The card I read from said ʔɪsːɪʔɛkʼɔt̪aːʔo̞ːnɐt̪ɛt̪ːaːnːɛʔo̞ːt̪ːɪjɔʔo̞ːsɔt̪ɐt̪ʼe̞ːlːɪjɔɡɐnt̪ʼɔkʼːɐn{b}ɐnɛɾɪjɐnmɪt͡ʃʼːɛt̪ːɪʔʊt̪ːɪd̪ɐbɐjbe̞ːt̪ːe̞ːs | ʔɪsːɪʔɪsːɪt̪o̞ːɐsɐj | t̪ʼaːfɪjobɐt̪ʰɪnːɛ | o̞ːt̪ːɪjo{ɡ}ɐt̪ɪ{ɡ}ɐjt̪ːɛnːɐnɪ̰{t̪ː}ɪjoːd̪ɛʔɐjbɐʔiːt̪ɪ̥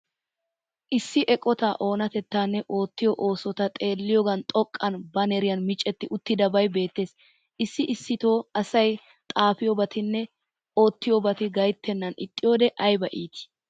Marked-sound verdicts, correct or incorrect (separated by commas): correct, incorrect, correct, incorrect